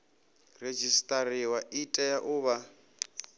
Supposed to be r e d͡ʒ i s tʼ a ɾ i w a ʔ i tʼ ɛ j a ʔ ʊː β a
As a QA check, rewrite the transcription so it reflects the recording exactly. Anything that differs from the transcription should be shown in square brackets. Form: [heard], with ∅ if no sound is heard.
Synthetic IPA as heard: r e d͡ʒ i s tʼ a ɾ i w a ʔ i tʼ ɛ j a ʔ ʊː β a